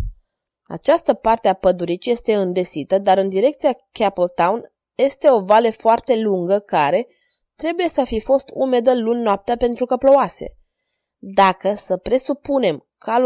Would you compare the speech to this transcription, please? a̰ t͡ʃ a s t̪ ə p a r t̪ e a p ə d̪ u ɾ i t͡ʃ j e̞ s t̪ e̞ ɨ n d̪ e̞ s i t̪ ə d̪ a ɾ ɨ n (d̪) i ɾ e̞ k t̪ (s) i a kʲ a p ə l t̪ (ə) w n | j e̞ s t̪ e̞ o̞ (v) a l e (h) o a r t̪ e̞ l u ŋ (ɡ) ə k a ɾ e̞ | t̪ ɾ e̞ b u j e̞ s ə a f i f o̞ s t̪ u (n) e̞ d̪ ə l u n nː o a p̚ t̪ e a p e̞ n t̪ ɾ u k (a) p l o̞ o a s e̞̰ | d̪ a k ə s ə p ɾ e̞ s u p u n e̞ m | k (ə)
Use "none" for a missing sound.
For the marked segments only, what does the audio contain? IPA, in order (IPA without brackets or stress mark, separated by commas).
d̪, s, a, v, f, ɡ, m, ə, a